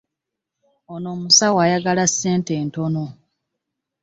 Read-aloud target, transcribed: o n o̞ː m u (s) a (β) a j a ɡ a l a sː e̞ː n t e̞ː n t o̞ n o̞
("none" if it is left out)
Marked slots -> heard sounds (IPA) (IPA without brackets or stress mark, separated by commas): s, w